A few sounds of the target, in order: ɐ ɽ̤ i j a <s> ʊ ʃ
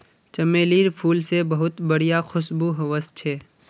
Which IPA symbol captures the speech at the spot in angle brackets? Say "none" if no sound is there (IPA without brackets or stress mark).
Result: x